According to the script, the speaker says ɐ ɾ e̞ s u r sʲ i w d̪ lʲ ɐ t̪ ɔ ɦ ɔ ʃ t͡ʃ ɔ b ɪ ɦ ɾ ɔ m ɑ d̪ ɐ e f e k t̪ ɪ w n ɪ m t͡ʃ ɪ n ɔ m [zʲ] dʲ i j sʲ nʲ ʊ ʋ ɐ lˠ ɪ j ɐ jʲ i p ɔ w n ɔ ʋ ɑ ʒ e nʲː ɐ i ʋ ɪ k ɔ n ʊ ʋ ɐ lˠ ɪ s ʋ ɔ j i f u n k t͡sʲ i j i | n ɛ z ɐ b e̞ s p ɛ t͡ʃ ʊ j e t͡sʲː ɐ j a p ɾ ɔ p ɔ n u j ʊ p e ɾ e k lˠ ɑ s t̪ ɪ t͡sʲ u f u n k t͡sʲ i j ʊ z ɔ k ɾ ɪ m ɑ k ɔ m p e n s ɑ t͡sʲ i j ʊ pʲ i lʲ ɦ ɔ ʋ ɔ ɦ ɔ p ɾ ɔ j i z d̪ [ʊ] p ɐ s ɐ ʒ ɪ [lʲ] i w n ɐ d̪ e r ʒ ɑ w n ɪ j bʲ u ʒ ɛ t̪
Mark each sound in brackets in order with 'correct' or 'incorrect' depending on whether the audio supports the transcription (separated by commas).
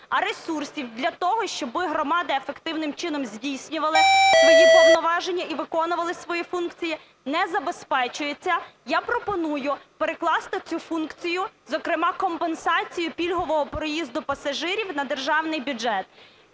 correct, correct, incorrect